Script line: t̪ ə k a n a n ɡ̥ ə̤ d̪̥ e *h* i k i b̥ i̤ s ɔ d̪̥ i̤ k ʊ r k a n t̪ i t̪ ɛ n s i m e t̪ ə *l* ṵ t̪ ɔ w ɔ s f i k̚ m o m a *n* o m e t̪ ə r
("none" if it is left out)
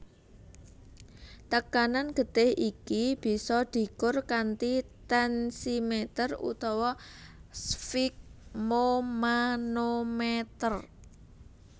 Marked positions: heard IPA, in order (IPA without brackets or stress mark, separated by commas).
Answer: h, r, n